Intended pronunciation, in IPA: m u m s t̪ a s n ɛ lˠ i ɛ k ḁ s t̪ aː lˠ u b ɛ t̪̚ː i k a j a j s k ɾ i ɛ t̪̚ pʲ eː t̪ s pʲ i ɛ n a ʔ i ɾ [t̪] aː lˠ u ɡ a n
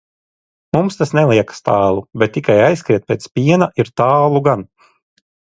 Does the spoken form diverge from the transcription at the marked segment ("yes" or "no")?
no